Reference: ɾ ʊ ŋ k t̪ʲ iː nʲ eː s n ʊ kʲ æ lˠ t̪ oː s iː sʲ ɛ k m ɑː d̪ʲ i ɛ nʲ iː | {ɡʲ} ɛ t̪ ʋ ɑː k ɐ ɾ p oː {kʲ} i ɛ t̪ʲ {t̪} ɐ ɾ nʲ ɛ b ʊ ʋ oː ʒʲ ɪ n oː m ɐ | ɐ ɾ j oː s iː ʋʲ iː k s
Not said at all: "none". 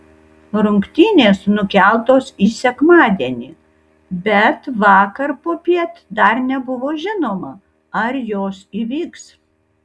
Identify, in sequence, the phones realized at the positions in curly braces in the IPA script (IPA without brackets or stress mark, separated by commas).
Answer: bʲ, pʲ, d̪